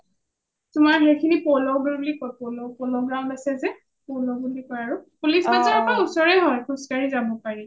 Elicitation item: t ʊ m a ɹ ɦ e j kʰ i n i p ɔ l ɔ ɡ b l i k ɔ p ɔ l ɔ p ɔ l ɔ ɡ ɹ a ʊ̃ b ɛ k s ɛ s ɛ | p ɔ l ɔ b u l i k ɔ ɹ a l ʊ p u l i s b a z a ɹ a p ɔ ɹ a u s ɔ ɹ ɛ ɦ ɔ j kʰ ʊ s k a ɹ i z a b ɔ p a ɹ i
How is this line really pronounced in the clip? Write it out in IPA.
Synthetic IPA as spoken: t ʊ m a ɹ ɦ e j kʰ i n i p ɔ l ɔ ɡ b l i k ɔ p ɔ l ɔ p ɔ l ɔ ɡ ɹ a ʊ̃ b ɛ s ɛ z ɛ | p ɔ l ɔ b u l i k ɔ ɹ a ɹ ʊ p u l i s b a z a ɹ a p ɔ ɹ a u s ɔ ɹ ɛ ɦ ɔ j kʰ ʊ s k a ɹ i z a b ɔ p a ɹ i